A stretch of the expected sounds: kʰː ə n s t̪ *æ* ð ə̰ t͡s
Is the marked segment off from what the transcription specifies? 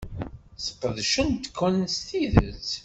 yes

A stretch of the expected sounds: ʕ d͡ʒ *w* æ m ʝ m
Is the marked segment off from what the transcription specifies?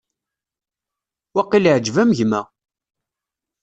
yes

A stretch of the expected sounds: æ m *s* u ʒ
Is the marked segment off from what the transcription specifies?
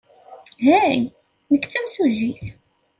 no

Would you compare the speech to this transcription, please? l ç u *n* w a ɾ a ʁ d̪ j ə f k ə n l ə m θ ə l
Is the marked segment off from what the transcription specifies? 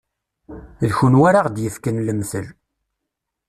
no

